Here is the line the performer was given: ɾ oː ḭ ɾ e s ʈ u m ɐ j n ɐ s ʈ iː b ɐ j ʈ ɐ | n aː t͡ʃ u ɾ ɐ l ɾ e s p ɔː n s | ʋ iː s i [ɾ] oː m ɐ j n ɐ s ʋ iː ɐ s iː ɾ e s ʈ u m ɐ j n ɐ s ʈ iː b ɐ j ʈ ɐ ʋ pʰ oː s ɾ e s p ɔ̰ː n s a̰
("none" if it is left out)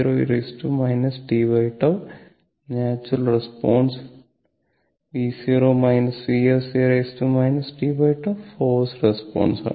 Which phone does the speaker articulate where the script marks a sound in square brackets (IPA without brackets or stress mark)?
ɾ